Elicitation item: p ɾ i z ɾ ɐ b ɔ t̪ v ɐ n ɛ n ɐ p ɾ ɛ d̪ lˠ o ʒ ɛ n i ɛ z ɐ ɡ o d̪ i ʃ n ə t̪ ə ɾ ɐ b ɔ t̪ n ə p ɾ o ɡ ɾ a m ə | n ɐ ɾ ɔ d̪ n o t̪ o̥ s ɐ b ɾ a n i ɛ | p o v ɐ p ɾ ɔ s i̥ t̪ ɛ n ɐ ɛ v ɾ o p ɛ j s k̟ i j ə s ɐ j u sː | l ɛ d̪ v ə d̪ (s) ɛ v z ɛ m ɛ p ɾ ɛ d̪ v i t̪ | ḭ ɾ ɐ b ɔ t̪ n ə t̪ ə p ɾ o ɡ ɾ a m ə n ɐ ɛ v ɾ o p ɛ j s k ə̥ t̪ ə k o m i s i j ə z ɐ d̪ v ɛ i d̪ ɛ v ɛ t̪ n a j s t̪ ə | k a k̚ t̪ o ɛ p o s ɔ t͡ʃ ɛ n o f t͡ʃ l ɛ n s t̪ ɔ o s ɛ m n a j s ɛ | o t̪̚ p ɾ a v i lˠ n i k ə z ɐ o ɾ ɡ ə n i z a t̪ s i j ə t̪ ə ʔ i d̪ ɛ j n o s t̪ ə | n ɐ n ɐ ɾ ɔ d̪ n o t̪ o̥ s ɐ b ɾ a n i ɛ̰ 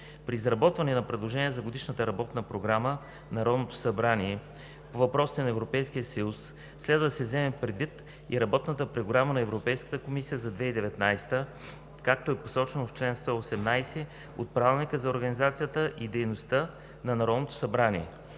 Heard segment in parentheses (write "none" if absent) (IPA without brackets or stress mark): s